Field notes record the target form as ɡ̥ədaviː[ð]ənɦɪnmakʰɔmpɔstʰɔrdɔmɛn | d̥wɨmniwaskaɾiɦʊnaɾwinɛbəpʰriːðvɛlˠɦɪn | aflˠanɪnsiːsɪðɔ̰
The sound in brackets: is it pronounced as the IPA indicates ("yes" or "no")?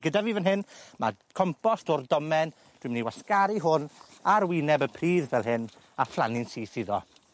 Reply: no